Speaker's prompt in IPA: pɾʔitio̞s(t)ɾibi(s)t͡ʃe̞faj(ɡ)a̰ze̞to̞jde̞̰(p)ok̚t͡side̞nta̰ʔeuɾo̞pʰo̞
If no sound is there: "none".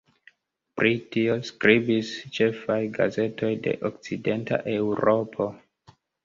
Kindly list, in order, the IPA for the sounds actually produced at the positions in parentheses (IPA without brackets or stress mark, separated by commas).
k, s, ɡ, ʔ